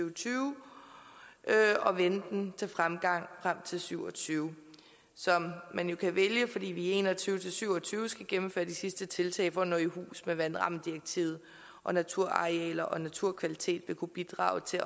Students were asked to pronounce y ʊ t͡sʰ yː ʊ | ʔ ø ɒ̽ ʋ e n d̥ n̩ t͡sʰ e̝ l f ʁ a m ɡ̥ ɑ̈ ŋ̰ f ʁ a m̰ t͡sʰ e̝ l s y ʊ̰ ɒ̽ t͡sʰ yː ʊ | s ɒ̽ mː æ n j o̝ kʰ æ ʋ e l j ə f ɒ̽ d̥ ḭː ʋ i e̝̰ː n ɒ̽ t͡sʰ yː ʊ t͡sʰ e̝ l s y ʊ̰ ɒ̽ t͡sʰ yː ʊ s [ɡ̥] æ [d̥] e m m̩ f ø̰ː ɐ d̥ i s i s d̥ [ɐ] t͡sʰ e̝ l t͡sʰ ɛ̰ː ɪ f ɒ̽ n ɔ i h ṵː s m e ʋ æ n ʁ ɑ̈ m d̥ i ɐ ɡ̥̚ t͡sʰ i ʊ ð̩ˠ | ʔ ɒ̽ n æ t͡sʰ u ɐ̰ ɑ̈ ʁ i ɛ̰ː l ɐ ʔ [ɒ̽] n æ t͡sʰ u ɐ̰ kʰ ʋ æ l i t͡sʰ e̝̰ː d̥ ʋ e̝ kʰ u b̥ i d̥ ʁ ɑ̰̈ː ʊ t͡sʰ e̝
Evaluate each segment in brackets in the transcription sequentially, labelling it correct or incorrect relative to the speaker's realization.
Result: correct, incorrect, incorrect, correct

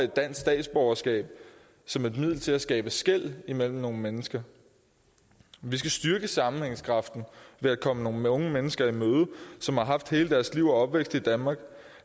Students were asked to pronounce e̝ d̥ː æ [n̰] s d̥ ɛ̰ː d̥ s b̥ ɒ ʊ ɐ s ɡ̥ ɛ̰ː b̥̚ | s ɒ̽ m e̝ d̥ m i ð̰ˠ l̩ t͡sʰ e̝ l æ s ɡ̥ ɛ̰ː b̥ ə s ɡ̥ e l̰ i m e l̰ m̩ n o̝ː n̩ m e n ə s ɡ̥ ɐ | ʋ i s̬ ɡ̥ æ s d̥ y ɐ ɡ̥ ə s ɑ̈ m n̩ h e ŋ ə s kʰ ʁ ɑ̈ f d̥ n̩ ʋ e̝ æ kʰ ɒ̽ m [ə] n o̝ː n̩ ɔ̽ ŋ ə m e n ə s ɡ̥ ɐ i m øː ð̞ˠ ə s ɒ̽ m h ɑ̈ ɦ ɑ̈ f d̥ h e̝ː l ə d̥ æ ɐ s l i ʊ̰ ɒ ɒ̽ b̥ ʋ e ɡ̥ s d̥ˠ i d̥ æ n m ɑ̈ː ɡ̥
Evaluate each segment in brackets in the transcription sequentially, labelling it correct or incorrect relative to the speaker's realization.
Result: correct, correct

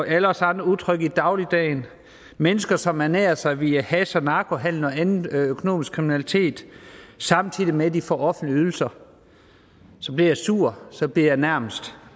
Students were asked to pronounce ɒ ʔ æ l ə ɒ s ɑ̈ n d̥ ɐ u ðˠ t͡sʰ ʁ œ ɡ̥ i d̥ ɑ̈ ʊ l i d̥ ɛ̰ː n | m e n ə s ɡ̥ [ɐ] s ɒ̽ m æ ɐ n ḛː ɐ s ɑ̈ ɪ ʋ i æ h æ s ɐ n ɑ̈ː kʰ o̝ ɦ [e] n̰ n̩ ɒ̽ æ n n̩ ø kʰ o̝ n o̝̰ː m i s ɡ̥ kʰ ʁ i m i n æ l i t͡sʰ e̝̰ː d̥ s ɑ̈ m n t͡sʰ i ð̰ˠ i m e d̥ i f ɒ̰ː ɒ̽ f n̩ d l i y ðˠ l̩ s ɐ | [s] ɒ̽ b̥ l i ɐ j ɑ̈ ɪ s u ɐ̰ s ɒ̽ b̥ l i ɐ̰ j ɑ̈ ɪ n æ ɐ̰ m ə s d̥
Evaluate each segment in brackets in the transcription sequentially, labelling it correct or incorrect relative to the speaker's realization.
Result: correct, incorrect, correct

